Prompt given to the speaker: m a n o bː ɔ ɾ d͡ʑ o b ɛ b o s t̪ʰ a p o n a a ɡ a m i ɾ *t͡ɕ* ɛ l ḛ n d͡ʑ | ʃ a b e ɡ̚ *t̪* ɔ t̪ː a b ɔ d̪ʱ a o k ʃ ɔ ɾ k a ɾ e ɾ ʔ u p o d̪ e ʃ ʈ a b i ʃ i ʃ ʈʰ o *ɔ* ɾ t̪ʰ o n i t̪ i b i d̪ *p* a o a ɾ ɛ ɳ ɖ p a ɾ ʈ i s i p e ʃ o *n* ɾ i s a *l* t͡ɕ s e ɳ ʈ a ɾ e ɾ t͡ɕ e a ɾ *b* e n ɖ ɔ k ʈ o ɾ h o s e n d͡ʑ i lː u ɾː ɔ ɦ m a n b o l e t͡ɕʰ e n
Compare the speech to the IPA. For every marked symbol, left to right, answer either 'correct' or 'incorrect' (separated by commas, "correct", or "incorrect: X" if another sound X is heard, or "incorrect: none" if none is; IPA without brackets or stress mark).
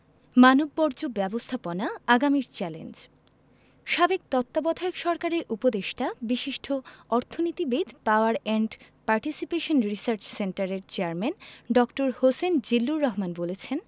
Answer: correct, correct, correct, correct, correct, incorrect: ɾ, incorrect: m